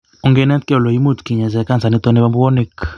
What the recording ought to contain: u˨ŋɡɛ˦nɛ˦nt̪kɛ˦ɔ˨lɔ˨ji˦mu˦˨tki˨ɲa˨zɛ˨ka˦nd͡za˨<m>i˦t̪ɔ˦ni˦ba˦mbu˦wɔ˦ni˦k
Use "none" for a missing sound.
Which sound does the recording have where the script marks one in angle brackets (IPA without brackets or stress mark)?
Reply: n